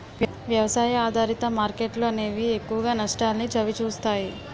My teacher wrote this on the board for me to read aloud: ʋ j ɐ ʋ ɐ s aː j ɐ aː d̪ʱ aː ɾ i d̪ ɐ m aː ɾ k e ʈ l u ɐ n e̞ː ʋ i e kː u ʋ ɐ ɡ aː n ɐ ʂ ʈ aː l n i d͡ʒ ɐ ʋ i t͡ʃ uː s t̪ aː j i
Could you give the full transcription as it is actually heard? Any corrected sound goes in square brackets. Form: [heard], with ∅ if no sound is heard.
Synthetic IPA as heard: ʋ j ɐ ʋ ɐ s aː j ɐ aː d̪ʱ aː ɾ i [t̪] ɐ m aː ɾ k e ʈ l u ɐ n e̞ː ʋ i e kː u ʋ ɐ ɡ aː n ɐ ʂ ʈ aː l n i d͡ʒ ɐ ʋ i t͡ʃ uː s t̪ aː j i